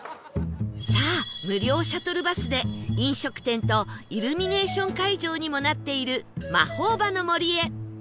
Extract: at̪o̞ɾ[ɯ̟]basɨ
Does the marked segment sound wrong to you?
no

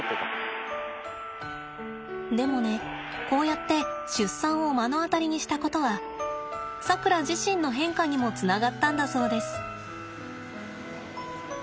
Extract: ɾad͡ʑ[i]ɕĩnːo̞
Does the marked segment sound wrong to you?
no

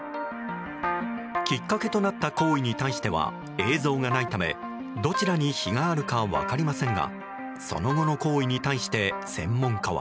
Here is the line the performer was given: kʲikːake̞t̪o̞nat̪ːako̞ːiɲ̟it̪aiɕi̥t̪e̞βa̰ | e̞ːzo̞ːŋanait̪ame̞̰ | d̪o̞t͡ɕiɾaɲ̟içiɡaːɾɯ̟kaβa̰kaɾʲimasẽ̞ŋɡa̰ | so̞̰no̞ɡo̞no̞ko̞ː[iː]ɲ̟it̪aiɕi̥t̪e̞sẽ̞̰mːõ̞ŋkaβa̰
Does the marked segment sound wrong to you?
yes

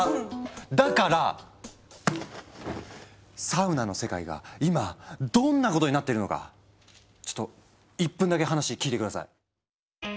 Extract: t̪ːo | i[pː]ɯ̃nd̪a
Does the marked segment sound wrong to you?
no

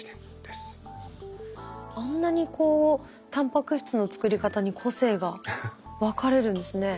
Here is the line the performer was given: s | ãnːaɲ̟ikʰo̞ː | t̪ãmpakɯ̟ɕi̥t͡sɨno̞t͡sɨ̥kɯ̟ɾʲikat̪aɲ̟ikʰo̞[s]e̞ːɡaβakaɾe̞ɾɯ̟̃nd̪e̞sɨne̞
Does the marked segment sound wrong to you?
no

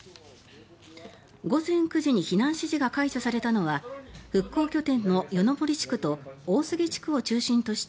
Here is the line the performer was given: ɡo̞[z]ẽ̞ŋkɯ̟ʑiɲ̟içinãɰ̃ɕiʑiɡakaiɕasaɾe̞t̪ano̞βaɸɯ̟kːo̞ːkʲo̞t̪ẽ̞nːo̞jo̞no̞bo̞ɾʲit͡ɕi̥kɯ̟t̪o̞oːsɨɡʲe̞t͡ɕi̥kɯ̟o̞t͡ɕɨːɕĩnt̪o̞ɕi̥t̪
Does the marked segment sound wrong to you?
no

